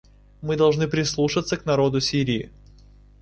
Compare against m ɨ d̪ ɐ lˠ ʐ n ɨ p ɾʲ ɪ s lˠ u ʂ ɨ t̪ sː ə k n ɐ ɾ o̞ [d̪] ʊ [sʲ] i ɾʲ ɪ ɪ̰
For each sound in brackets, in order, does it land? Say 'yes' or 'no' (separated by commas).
yes, yes